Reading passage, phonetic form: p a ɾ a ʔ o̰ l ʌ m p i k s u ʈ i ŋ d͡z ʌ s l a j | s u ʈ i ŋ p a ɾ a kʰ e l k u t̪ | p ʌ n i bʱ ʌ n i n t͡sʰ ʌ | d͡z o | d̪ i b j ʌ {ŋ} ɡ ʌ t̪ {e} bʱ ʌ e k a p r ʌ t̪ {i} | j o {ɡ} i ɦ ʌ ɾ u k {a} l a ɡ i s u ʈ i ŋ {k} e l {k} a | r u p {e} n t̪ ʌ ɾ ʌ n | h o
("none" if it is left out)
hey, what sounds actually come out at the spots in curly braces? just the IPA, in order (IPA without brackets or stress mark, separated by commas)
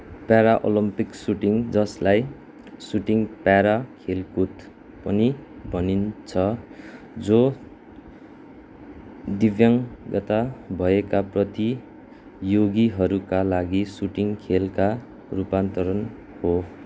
ŋ, a, i, ɡ, a, kʰ, k, a